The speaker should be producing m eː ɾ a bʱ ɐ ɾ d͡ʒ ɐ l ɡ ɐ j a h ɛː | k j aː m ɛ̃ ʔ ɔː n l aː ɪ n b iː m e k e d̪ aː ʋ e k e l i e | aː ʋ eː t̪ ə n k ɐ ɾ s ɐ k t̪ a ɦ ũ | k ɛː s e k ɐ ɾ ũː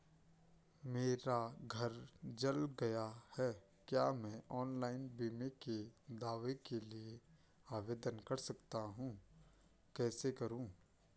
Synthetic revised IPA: m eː ɾ a ɡʱ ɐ ɾ d͡ʒ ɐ l ɡ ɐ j a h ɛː | k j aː m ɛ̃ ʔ ɔː n l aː ɪ n b iː m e k e d̪ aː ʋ e k e l i e | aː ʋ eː d̪ ə n k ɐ ɾ s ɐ k t̪ a ɦ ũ | k ɛː s e k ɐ ɾ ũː